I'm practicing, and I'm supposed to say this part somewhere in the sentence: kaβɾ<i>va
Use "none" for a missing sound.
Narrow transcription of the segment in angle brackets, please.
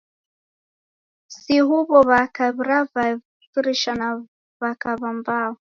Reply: a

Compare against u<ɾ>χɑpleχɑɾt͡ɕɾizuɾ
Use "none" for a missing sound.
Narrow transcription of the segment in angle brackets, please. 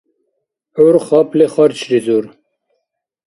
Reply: ɾ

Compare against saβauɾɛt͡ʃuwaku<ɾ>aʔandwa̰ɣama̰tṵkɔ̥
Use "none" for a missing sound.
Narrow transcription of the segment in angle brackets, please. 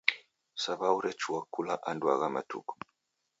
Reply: l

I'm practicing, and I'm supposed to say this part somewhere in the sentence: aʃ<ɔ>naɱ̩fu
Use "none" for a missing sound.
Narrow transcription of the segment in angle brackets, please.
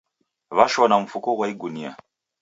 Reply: ɔ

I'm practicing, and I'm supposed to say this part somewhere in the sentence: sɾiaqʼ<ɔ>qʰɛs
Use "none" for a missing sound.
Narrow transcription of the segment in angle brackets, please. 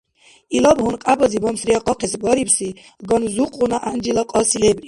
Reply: ɔ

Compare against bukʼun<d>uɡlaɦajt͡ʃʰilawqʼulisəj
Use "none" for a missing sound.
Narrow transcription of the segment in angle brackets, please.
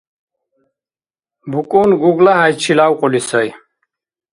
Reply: ɡ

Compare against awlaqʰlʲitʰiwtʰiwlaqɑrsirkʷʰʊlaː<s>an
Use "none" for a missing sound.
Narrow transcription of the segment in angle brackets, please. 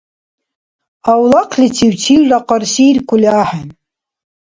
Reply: ħ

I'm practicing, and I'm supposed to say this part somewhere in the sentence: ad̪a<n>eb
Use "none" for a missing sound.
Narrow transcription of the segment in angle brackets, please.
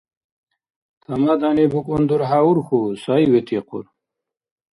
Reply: n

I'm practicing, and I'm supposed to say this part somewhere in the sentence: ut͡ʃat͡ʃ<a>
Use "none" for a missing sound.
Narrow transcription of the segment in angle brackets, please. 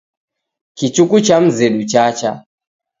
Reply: a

